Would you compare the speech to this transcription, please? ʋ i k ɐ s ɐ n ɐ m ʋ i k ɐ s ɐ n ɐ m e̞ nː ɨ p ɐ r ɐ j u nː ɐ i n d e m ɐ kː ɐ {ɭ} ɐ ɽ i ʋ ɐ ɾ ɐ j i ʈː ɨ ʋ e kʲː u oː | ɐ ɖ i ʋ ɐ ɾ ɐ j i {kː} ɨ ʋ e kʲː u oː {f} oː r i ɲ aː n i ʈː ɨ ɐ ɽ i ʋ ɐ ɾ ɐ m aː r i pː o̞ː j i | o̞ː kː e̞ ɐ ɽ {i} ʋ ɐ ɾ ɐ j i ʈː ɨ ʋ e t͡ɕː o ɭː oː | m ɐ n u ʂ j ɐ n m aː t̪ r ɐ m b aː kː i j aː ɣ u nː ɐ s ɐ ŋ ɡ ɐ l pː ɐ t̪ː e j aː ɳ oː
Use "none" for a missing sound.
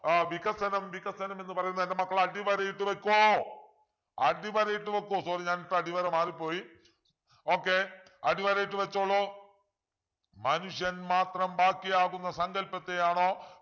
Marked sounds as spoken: ɭ, ʈː, s, i

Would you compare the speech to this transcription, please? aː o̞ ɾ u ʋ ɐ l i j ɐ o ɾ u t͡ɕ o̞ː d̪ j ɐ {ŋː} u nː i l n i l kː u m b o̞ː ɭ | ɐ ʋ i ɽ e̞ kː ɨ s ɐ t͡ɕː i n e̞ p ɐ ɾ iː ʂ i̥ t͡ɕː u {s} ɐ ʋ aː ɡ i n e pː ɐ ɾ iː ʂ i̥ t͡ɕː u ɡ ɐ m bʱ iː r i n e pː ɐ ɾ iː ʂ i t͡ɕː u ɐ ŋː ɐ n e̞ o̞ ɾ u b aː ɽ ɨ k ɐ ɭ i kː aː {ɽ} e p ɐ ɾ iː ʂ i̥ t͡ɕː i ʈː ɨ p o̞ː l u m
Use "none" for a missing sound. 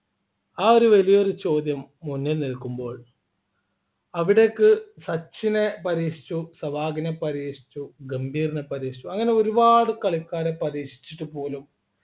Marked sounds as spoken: mː, s, ɾ

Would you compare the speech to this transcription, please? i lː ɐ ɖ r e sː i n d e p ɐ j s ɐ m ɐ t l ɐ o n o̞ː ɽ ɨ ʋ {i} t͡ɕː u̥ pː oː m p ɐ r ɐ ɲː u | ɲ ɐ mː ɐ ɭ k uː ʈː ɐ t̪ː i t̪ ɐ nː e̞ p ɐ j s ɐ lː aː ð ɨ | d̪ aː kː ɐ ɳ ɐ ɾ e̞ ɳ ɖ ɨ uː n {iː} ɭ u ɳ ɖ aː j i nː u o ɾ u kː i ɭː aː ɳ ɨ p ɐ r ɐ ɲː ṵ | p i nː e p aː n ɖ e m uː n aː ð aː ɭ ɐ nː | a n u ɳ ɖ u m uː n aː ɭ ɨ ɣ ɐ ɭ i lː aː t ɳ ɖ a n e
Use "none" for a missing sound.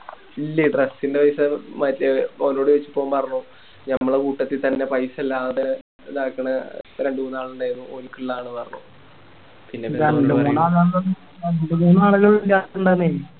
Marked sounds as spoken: e, aː

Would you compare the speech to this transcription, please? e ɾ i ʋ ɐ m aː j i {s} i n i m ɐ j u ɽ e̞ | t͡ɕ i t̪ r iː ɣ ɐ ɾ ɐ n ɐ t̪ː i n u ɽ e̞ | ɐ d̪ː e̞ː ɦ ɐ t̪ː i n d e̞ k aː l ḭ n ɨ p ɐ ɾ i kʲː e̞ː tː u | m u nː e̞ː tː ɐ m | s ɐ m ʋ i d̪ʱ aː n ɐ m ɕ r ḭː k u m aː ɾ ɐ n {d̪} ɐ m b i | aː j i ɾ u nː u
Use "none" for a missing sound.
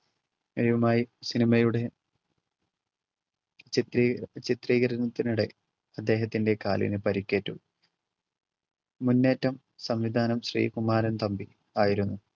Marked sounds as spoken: s, t̪

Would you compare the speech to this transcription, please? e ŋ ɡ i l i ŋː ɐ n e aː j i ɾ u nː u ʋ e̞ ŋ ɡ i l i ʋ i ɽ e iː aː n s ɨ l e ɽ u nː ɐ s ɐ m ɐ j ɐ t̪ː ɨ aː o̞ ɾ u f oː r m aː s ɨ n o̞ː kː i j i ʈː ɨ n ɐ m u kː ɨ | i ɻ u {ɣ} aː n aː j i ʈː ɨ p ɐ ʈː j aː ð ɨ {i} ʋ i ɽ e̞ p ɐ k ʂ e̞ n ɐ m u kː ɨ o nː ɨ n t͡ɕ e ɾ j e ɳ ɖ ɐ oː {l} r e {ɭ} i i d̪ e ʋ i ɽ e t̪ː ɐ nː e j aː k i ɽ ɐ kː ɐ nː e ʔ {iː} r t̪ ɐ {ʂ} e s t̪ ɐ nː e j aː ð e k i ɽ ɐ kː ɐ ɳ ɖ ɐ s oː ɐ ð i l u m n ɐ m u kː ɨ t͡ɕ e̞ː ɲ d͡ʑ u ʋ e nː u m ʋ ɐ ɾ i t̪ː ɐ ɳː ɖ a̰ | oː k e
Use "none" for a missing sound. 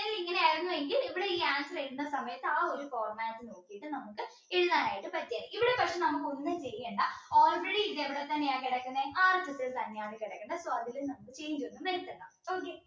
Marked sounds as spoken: ð, i, l, ɽ, aː, s

